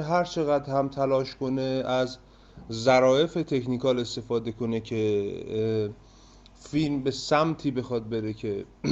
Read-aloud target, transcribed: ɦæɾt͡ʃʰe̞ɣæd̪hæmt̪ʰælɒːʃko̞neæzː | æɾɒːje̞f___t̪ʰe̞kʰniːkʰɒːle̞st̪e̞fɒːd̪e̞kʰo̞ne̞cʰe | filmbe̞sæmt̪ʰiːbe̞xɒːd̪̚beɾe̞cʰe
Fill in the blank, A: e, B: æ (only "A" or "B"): A